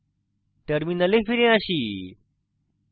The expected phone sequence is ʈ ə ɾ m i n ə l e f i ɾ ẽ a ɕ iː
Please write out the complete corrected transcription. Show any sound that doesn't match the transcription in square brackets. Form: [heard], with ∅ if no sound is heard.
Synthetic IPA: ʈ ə ɾ m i n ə l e f i ɾ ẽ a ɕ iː